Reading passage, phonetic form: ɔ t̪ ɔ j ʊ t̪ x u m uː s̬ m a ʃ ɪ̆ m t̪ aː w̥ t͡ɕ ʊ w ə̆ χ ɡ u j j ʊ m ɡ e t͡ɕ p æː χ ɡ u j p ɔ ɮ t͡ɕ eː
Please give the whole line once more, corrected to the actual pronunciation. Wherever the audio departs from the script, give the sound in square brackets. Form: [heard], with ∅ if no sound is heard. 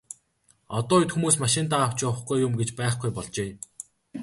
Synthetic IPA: ɔ t̪ [ɔː] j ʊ t̪ x u m uː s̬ m a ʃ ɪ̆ [n] t̪ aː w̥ t͡ɕ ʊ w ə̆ χ ɡ u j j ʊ m ɡ e t͡ɕ p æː χ ɡ u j p ɔ ɮ t͡ɕ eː